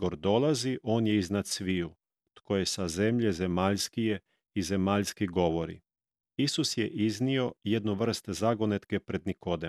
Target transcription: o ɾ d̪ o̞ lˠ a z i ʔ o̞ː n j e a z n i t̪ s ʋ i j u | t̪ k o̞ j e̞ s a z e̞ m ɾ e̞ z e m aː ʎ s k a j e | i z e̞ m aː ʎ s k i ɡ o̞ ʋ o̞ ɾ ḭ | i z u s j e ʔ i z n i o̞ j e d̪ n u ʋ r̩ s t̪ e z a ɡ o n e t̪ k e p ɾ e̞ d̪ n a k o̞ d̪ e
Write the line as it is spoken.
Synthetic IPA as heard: o ɾ d̪ o̞ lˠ a z i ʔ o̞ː n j e i z n a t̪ s ʋ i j u | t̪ k o̞ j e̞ s a z e̞ m ʎ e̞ z e m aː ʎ s k i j e | i z e̞ m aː ʎ s k i ɡ o̞ ʋ o̞ ɾ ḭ | i s u s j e ʔ i z n i o̞ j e d̪ n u ʋ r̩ s t̪ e z a ɡ o n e t̪ k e p ɾ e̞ d̪ n i k o̞ d̪ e